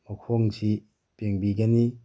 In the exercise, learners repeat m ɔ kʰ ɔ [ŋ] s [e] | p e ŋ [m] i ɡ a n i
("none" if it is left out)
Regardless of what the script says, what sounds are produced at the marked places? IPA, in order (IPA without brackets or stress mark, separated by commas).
ŋ, i, b